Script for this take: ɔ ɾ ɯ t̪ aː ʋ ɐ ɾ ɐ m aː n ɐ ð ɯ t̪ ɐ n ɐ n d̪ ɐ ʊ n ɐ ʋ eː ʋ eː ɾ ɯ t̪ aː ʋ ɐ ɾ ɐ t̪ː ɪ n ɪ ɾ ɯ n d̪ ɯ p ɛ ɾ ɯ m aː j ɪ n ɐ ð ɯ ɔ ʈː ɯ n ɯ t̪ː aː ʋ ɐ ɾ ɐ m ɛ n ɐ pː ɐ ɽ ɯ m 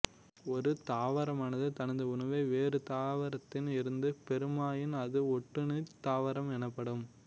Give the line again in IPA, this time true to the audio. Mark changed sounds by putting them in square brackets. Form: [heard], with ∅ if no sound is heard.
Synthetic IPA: ɔ ɾ ɯ t̪ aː ʋ ɐ ɾ ɐ m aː n ɐ ð ɯ t̪ ɐ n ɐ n d̪ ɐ ʊ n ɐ ʋ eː ʋ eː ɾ ɯ t̪ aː ʋ ɐ ɾ ɐ t̪ː ɪ n ɪ ɾ ɯ n d̪ ɯ p ɛ ɾ ɯ m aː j ɪ n ɐ ð ɯ ɔ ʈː ɯ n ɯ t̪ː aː ʋ ɐ ɾ ɐ m ɛ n ɐ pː ɐ ɽ ɯ m

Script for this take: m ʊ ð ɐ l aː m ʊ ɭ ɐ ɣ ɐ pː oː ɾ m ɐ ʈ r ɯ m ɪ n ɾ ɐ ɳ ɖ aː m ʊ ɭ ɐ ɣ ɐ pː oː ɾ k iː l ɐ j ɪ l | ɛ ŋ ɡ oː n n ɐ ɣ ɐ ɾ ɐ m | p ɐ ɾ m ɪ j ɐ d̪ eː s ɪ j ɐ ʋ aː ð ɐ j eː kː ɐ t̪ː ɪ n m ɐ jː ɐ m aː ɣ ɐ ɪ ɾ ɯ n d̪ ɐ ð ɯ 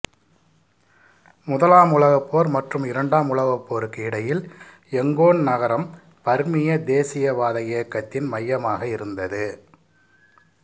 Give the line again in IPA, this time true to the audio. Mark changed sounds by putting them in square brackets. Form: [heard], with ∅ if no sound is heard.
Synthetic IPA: m ʊ ð ɐ l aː m ʊ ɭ ɐ ɣ ɐ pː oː ɾ m ɐ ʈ r ɯ m ɪ [∅] ɾ ɐ ɳ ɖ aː m ʊ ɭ ɐ ɣ ɐ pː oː ɾ k iː [ɽ] ɐ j ɪ l | ɛ ŋ ɡ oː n n ɐ ɣ ɐ ɾ ɐ m | p ɐ ɾ m ɪ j ɐ d̪ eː s ɪ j ɐ ʋ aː ð ɐ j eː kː ɐ t̪ː ɪ n m ɐ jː ɐ m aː ɣ ɐ ɪ ɾ ɯ n d̪ ɐ ð ɯ

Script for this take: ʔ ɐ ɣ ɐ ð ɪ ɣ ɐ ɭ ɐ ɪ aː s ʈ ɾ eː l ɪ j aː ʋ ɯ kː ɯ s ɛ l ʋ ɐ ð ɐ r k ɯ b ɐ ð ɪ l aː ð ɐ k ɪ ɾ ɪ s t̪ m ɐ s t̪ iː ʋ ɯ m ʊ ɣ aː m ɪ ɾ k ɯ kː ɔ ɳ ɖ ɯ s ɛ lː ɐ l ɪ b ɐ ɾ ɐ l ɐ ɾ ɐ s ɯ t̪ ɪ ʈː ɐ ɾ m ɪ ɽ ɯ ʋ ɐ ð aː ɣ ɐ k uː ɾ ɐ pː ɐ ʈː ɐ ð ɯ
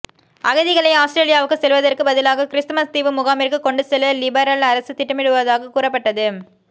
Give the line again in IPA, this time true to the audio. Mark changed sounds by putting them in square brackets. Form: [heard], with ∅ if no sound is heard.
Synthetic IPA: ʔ ɐ ɣ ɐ ð ɪ ɣ ɐ ɭ ɐ ɪ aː s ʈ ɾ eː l ɪ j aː ʋ ɯ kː ɯ s ɛ l ʋ ɐ ð ɐ r k ɯ b ɐ ð ɪ l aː [ɣ] ɐ k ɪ ɾ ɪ s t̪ m ɐ s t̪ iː ʋ ɯ m ʊ ɣ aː m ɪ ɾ k ɯ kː ɔ ɳ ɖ ɯ s ɛ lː ɐ l ɪ b ɐ ɾ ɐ l ɐ ɾ ɐ s ɯ t̪ ɪ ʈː ɐ [∅] m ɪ ɽ ɯ ʋ ɐ ð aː ɣ ɐ k uː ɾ ɐ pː ɐ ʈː ɐ ð ɯ

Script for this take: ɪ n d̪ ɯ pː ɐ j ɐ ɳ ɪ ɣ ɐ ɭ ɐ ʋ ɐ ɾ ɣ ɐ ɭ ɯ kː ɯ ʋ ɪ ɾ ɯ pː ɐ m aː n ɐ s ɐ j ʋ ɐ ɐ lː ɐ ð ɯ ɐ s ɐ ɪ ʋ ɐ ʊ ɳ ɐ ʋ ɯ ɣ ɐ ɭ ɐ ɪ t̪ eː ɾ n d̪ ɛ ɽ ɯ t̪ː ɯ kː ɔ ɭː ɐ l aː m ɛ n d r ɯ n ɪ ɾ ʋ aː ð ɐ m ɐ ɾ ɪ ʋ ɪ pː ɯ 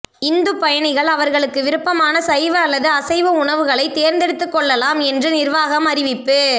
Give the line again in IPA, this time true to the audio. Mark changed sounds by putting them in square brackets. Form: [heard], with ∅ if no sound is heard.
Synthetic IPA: ɪ n d̪ ɯ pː ɐ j ɐ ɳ ɪ ɣ ɐ ɭ ɐ ʋ ɐ ɾ ɣ ɐ ɭ ɯ kː ɯ ʋ ɪ ɾ ɯ pː ɐ m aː n ɐ s ɐ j ʋ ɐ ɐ lː ɐ ð ɯ ɐ s ɐ ɪ ʋ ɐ ʊ ɳ ɐ ʋ ɯ ɣ ɐ ɭ ɐ ɪ t̪ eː ɾ n d̪ ɛ ɽ ɯ t̪ː ɯ kː ɔ ɭː ɐ l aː m ɛ n d r ɯ n ɪ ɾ ʋ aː [ɣ] ɐ m ɐ ɾ ɪ ʋ ɪ pː ɯ

